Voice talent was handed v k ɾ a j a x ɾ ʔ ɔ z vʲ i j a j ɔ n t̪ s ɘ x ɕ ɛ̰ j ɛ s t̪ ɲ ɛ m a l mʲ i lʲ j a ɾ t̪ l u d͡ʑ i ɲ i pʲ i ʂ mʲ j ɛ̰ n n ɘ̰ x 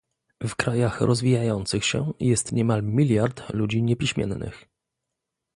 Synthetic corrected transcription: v k ɾ a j a x ɾ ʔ ɔ z vʲ i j a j ɔ n t̪ s ɘ x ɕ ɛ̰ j ɛ s t̪ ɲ ɛ m a l mʲ i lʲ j a ɾ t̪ l u d͡ʑ i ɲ ɛ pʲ i ɕ mʲ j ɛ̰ n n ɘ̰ x